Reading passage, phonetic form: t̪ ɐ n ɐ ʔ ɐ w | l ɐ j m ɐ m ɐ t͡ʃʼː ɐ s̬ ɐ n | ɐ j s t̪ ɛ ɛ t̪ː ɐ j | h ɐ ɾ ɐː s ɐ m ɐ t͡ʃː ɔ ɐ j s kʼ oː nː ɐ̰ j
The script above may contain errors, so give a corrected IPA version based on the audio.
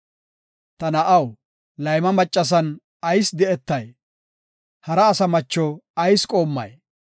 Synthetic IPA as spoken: t̪ ɐ n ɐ ʔ ɐ w | l ɐ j m ɐ m ɐ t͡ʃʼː ɐ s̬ ɐ n | ɐ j s d̪ ɛ ɛ t̪ː ɐ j | h ɐ ɾ ɐː s ɐ m ɐ t͡ʃː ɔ ɐ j s kʼ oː mː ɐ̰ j